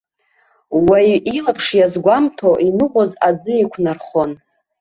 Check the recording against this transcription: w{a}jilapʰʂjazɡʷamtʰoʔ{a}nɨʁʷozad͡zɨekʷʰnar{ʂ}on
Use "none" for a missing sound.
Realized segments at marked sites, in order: a, i, χ

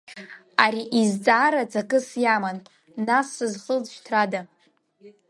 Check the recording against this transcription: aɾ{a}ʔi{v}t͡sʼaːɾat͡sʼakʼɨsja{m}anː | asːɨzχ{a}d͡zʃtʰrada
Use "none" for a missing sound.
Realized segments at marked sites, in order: i, z, m, ə

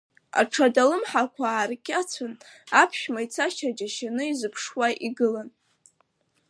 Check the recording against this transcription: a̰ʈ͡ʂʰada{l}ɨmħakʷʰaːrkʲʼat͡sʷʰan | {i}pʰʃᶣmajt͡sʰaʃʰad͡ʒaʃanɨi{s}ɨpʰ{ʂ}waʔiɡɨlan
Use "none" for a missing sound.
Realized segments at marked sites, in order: l, a, z, ʂ

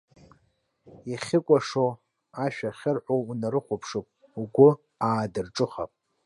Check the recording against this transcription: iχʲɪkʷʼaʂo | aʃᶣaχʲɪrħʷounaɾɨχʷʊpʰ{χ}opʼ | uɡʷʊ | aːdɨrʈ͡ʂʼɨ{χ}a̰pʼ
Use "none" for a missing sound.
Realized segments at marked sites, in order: ʂ, χ

